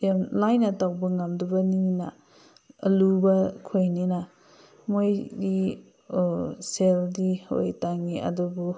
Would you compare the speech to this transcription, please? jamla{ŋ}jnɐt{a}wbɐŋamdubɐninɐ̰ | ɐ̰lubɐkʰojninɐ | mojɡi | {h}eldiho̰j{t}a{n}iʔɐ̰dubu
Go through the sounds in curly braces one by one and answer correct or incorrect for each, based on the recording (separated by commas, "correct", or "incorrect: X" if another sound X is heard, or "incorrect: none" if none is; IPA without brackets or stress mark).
incorrect: none, correct, incorrect: s, correct, incorrect: ŋ